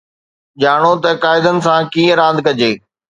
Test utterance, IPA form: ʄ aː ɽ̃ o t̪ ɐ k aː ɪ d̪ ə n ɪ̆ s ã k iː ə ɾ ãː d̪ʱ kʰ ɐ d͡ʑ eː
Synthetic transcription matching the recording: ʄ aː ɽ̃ o t̪ ɐ k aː ɪ d̪ ə n ɪ̆ s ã k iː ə ɾ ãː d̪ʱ k ɐ d͡ʑ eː